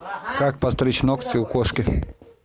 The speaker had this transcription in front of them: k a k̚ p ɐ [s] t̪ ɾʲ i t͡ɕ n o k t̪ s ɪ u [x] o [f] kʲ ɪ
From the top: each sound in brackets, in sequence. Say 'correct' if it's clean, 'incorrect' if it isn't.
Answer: correct, incorrect: k, incorrect: ʂ

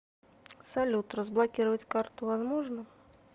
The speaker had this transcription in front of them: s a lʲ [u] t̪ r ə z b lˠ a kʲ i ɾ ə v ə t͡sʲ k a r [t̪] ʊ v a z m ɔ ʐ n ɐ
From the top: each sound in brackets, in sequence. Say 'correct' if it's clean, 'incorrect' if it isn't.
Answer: correct, correct

